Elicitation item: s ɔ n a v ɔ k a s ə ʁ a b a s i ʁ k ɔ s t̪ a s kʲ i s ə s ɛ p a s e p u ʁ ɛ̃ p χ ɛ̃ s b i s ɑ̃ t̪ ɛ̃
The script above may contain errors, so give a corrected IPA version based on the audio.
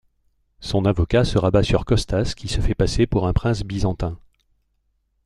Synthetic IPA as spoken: s ɔ̃ n a v ɔ k a s ə ʁ a b a s y ʁ k ɔ s t̪ a s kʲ i s ə f ɛ p a s e p u ʁ ɛ̃ p χ ɛ̃ s b i z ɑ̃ t̪ ɛ̃